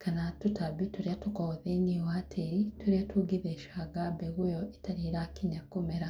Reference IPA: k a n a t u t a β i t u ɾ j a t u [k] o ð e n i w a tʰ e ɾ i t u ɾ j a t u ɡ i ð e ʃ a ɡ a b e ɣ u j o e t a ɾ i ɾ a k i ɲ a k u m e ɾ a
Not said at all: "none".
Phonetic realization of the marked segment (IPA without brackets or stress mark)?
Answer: k